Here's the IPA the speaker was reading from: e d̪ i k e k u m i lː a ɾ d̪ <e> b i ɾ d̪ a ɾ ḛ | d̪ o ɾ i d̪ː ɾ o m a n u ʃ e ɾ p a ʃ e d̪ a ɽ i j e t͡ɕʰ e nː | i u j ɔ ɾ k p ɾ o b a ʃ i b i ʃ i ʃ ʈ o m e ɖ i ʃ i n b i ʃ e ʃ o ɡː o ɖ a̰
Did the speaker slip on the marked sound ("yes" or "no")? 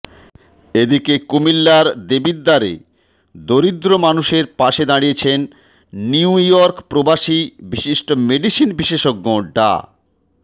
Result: no